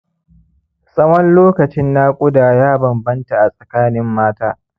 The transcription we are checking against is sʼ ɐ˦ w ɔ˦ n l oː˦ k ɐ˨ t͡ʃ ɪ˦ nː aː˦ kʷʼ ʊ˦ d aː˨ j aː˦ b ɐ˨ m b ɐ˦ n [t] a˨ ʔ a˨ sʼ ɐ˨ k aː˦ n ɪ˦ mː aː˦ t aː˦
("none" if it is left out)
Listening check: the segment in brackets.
t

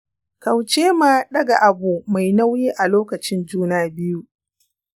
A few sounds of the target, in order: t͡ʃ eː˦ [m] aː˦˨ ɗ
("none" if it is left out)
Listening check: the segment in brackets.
m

